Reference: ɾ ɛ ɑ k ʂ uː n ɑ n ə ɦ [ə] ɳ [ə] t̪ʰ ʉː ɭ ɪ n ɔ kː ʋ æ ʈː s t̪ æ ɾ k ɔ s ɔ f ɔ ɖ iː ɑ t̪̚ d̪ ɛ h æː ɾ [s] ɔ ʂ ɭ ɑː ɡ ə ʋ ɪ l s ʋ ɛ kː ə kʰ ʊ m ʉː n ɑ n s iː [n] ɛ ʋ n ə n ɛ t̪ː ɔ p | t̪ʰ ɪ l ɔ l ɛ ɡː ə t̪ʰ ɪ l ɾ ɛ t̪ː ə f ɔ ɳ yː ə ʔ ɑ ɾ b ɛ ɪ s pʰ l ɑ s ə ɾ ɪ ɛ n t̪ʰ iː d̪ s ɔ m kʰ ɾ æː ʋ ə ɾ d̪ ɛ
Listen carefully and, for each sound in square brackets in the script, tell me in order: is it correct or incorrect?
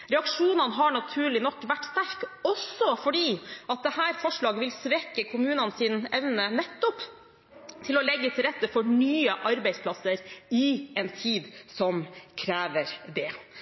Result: incorrect, incorrect, incorrect, correct

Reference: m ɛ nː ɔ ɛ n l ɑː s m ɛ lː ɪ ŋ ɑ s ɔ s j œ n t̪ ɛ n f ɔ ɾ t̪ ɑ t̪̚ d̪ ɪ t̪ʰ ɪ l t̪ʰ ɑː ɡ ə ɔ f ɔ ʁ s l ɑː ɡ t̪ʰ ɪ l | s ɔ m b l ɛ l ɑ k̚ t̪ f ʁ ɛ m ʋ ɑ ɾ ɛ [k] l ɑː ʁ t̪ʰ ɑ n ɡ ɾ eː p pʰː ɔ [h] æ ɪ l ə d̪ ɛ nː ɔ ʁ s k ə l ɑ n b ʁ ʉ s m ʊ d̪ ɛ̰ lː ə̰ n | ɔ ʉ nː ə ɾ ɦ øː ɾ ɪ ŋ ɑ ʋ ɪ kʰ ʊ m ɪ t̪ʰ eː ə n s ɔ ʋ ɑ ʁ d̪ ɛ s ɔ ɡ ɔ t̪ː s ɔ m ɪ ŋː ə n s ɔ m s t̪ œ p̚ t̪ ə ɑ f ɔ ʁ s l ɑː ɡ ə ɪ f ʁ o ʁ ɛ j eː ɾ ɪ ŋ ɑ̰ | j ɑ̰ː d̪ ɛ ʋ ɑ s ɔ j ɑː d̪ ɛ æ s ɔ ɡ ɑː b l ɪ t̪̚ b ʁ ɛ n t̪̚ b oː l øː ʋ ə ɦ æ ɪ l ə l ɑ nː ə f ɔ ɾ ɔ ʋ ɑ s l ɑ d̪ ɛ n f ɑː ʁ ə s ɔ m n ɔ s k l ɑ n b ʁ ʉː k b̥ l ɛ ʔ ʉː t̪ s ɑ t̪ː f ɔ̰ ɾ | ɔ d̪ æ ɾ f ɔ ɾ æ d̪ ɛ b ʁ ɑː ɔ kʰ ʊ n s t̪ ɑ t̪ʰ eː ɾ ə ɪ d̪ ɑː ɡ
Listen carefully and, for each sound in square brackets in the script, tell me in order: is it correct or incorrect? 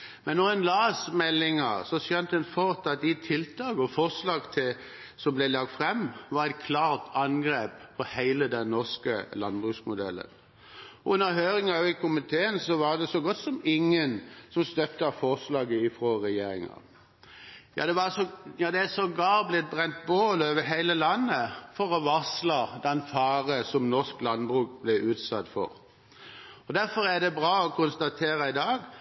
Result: incorrect, correct

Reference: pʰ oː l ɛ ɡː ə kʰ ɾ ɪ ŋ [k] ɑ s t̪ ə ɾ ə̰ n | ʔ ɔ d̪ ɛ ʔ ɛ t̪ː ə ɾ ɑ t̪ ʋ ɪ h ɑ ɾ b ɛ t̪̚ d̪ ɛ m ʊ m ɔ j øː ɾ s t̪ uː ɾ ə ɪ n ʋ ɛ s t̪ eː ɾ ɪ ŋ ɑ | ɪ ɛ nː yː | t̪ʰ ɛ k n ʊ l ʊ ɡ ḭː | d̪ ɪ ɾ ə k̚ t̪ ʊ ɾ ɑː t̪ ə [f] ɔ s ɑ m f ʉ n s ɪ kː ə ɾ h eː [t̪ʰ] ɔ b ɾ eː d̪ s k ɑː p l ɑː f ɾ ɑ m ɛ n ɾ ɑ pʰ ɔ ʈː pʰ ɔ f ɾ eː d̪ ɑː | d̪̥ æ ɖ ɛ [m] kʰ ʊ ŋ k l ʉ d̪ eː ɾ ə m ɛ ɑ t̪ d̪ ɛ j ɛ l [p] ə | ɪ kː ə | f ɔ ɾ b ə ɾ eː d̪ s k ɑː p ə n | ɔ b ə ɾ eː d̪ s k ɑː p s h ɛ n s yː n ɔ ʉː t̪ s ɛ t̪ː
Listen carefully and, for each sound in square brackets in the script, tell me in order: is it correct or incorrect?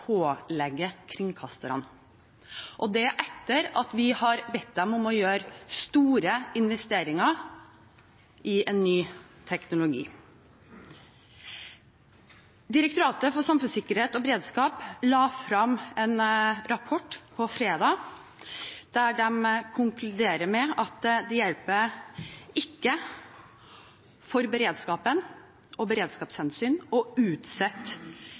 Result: incorrect, correct, incorrect, correct, correct

